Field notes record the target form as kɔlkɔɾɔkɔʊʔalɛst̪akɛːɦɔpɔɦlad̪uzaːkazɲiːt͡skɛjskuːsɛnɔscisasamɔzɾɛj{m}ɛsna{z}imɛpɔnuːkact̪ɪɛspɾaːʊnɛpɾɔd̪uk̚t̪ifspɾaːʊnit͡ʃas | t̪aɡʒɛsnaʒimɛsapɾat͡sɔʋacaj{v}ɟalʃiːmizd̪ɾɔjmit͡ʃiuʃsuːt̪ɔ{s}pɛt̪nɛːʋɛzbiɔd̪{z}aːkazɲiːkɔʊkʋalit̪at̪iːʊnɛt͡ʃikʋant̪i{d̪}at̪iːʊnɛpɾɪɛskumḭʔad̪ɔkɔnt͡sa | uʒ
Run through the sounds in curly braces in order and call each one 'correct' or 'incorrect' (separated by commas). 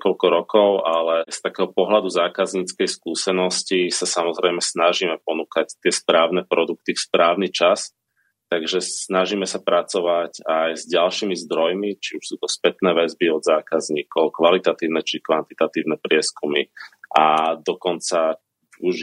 correct, incorrect, incorrect, correct, correct, incorrect